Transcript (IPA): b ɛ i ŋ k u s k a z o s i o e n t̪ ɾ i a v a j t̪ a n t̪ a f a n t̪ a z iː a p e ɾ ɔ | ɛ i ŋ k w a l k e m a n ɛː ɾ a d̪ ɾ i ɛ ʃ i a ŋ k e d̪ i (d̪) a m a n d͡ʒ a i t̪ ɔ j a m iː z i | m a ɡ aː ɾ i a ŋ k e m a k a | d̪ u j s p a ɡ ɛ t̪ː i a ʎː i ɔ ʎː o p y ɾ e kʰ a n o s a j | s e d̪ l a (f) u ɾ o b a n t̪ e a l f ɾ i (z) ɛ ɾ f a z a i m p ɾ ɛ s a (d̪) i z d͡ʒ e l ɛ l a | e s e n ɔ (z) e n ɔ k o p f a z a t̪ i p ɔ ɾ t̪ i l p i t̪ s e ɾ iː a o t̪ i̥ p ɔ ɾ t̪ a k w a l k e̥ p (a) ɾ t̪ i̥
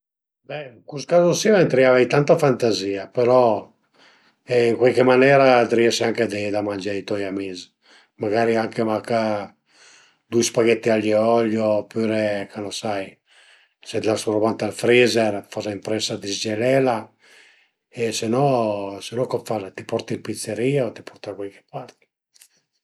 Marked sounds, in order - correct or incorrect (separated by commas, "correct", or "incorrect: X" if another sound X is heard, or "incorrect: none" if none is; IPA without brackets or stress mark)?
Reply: correct, incorrect: s, correct, correct, incorrect: s, correct